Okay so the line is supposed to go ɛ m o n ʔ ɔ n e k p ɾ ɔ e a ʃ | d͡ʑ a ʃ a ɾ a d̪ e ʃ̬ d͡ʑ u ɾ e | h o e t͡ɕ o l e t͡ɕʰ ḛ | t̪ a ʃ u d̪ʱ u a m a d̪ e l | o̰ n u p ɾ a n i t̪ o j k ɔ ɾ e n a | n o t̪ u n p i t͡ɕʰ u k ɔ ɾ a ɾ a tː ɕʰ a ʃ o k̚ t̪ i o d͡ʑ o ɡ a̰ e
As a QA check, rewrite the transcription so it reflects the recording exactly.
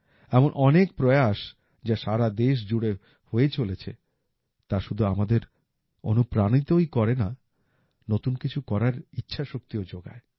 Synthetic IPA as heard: ɛ m o n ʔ ɔ n e k p ɾ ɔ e a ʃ | d͡ʑ a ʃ a ɾ a d̪ e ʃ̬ d͡ʑ u ɽ e | h o e t͡ɕ o l e t͡ɕʰ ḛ | t̪ a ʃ u d̪ʱ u a m a d̪ e ɾ | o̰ n u p ɾ a n i t̪ o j k ɔ ɾ e n a | n o t̪ u n k i t͡ɕʰ u k ɔ ɾ a ɾ i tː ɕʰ a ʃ o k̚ t̪ i o d͡ʑ o ɡ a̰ e